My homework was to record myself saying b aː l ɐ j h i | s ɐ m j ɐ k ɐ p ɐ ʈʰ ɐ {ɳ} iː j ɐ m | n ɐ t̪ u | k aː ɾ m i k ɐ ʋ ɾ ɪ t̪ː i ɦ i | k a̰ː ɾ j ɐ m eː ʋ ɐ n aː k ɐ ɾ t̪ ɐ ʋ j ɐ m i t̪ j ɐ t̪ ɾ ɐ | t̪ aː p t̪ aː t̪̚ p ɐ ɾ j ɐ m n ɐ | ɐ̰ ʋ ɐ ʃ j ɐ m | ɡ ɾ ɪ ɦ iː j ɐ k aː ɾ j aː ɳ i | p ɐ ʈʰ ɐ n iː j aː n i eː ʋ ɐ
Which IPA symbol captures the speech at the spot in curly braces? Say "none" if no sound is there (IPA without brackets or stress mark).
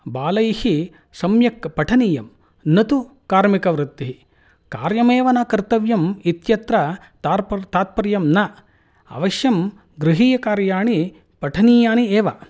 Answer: n